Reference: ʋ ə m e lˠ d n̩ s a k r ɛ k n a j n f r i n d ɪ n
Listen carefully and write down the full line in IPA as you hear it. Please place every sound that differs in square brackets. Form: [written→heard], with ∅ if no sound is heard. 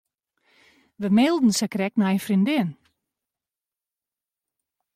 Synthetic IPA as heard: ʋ ə m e lˠ d n̩ s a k r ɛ k n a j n f r i n d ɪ n